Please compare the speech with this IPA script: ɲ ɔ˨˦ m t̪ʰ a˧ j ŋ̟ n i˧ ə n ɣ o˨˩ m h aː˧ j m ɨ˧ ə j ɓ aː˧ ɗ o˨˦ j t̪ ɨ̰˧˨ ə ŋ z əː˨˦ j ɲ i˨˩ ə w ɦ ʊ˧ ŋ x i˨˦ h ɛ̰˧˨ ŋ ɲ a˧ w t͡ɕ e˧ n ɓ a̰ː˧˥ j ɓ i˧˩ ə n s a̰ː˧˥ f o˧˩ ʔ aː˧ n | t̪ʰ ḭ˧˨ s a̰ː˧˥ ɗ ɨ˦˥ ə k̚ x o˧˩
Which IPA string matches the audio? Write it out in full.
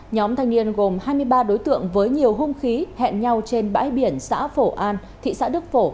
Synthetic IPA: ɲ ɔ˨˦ m t̪ʰ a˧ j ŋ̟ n i˧ ə n ɣ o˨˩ m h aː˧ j m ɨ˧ ə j ɓ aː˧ ɗ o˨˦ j t̪ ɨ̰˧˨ ə ŋ v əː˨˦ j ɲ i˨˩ ə w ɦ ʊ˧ ŋ͡m x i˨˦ h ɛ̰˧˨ n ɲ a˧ w t͡ɕ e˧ n ɓ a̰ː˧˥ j ɓ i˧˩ ə n s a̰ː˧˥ f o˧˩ ʔ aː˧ n | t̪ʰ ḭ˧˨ s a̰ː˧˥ ɗ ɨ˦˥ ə k̚ f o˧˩